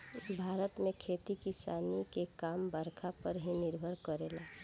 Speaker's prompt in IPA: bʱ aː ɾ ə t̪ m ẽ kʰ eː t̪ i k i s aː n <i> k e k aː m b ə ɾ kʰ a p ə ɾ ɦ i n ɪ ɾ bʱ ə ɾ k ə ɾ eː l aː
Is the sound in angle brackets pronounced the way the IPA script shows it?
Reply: yes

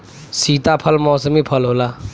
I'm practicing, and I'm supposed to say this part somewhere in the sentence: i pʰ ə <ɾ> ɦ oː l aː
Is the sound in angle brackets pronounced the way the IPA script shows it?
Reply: no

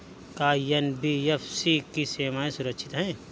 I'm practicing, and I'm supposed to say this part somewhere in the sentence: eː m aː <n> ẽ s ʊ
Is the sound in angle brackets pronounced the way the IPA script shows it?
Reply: no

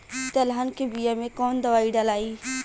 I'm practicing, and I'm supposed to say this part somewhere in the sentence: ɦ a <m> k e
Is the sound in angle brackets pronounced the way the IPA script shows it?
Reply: no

